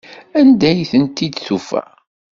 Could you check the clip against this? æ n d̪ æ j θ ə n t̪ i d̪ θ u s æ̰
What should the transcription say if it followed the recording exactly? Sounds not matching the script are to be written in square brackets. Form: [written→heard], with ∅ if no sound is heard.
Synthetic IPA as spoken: æ n d̪ æ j θ ə n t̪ i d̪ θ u [s→f] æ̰